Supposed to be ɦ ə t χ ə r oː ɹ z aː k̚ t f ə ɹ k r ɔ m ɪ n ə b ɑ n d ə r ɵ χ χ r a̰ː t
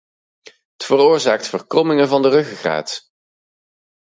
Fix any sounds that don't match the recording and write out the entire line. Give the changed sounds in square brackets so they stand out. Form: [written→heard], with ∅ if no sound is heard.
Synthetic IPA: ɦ ə t [χ→f] ə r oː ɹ z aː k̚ t f ə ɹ k r ɔ m ɪ [n→ŋ] ə [b→v] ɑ n d ə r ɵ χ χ r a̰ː t